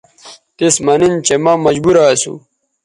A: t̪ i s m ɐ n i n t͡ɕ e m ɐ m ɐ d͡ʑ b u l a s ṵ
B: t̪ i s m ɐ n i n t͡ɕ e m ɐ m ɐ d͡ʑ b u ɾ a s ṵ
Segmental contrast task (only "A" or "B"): B